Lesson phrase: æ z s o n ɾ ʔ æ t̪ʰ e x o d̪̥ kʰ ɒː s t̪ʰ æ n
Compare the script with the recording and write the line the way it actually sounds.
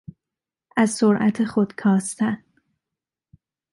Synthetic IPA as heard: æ z s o ɾ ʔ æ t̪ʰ e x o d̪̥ kʰ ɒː s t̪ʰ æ n